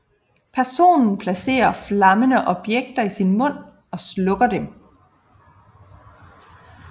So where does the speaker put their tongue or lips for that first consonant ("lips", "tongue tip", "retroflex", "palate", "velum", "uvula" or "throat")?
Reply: lips